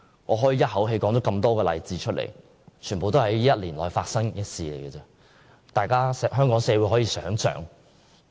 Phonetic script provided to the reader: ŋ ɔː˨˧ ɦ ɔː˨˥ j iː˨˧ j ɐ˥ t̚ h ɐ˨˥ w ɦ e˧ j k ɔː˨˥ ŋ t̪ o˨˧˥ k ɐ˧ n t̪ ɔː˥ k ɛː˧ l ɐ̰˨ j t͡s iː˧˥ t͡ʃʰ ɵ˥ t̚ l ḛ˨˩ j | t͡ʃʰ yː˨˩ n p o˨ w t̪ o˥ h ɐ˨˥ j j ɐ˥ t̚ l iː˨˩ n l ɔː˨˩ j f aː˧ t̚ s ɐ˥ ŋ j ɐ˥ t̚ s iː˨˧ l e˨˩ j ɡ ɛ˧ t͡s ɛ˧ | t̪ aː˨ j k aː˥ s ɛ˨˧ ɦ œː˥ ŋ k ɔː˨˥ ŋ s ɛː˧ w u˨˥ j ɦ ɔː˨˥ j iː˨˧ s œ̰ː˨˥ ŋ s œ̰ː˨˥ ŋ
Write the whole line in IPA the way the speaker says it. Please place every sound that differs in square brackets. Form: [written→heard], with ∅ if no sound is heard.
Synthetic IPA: ŋ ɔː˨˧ ɦ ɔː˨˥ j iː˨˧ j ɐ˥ t̚ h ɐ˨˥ w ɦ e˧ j k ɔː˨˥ ŋ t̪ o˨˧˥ k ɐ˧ [n→m] t̪ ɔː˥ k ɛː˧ l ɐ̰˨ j t͡s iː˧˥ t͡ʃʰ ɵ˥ t̚ l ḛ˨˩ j | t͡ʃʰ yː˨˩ n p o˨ w t̪ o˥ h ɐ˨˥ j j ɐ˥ t̚ l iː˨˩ n l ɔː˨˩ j f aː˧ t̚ s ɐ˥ ŋ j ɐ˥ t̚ s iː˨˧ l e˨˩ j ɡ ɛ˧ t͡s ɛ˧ | t̪ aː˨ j k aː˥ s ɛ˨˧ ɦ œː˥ ŋ k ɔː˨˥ ŋ s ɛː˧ w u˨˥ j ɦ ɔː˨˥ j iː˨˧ s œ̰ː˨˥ ŋ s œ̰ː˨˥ ŋ

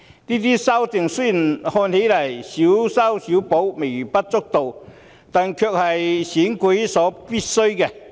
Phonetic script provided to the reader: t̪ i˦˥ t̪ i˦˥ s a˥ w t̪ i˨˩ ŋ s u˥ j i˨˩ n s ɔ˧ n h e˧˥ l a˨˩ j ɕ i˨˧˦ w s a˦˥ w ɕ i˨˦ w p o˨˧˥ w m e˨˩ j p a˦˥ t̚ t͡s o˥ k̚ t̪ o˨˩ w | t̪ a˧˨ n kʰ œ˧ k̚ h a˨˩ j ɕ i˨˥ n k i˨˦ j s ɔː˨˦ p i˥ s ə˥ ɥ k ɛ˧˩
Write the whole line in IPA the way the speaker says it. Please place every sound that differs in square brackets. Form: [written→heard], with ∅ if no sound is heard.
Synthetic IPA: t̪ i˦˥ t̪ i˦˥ s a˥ w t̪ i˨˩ ŋ s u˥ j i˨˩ n [s→h] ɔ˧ n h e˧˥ l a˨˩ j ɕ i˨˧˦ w s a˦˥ w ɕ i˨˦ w p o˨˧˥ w m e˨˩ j p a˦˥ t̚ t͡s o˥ k̚ t̪ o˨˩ w | t̪ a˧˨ n kʰ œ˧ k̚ h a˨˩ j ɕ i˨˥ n k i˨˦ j s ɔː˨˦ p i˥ s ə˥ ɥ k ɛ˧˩

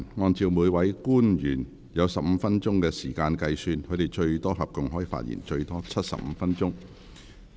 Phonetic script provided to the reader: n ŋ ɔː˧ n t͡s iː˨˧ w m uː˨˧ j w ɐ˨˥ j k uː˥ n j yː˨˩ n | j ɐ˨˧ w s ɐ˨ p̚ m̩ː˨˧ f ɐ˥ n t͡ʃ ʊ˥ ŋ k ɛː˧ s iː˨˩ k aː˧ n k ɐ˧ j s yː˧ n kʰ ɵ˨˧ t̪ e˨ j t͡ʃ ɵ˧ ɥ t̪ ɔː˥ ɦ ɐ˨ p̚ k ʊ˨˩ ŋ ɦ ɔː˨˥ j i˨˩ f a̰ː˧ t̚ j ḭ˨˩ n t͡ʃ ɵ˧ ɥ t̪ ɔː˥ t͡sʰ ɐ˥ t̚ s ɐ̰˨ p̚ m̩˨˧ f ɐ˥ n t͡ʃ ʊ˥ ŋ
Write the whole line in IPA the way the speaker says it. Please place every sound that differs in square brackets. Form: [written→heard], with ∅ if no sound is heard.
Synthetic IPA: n ŋ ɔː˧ n t͡s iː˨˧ w m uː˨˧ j w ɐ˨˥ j k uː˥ n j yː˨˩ n | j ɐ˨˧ w s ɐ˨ p̚ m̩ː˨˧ f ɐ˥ n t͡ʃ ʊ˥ ŋ k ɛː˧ s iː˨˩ k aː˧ n k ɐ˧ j s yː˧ n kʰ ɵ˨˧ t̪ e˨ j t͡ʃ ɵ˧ ɥ t̪ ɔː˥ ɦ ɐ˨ p̚ k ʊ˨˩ ŋ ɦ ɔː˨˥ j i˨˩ f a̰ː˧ t̚ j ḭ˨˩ n t͡ʃ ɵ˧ ɥ t̪ ɔː˥ t͡sʰ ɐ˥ t̚ s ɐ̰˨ p̚ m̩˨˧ f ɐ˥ n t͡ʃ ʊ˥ ŋ

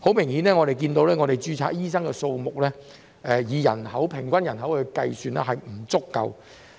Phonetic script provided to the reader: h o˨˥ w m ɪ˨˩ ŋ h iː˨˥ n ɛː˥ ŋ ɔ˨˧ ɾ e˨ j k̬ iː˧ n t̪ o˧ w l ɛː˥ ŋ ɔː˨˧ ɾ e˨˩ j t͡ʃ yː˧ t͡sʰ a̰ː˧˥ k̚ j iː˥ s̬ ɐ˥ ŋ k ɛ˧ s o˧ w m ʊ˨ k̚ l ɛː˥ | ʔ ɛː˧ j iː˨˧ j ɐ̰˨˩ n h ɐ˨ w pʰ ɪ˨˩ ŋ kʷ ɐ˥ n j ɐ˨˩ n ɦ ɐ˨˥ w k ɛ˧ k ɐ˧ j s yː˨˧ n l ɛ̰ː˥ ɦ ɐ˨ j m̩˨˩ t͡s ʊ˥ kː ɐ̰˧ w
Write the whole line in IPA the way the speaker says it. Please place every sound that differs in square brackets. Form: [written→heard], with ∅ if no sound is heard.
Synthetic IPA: h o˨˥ w m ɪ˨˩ ŋ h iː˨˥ n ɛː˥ ŋ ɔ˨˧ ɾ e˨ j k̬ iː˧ n t̪ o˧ w l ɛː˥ ŋ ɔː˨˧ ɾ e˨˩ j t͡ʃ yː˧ t͡sʰ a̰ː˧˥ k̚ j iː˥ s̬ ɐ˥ ŋ k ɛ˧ s o˧ w m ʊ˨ k̚ l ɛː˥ | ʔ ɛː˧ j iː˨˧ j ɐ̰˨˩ n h [ɐ˨→ɐ˨˥] w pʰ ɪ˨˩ ŋ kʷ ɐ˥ n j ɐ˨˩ n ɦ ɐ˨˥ w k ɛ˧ k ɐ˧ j s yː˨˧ n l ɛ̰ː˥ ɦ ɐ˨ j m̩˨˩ t͡s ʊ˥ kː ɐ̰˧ w

